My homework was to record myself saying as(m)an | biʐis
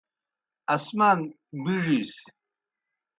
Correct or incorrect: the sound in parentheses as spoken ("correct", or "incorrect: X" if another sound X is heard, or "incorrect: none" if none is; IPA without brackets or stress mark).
correct